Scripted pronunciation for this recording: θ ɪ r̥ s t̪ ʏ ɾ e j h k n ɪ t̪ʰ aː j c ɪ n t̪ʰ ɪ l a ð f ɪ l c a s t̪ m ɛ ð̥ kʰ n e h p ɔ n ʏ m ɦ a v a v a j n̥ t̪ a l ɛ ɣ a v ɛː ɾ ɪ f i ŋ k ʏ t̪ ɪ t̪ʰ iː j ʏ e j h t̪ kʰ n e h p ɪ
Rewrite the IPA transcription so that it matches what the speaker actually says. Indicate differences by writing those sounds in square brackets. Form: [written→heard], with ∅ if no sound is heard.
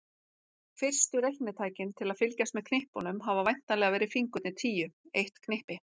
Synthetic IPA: [θ→f] ɪ r̥ s t̪ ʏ ɾ e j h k n ɪ t̪ʰ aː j c ɪ n t̪ʰ ɪ l a ð f ɪ l c a s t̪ m ɛ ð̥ kʰ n e h p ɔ n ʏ m ɦ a v a v a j n̥ t̪ a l ɛ ɣ a v ɛː ɾ ɪ f i ŋ k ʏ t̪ ɪ t̪ʰ iː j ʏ e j h t̪ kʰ n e h p ɪ